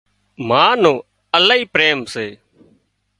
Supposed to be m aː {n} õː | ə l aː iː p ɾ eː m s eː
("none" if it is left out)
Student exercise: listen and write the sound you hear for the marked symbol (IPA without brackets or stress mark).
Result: n